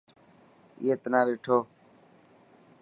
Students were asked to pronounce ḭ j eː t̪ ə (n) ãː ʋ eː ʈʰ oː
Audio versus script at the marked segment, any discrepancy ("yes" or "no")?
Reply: no